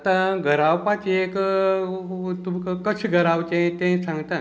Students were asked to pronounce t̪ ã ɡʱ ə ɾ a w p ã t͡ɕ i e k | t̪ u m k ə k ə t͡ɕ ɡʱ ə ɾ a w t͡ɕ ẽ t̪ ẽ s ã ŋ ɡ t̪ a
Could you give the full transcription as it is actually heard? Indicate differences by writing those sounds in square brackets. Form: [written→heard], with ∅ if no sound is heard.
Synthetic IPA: t̪ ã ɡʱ ə ɾ a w p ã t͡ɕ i e k | t̪ u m k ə k ə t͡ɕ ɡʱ ə ɾ a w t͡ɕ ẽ t̪ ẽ s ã ŋ ɡ t̪ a